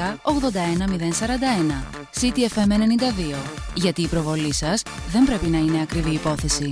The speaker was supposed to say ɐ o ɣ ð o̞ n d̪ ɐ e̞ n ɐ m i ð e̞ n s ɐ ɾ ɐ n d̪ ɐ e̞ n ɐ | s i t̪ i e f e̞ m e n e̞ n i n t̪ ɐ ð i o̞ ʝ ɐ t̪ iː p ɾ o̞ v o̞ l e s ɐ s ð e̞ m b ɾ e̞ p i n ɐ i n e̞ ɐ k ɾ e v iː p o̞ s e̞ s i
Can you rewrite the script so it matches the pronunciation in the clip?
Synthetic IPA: ɐ o ɣ ð o̞ n d̪ ɐ e̞ n ɐ m i ð e̞ n s ɐ ɾ ɐ n d̪ ɐ e̞ n ɐ | s i t̪ i e f e̞ m e n e̞ n i n d̪ ɐ ð i o̞ ʝ ɐ t̪ iː p ɾ o̞ v o̞ l i s ɐ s ð e̞ m b ɾ e̞ p i n ɐ i n e̞ ɐ k ɾ i v iː p o̞ θ e̞ s i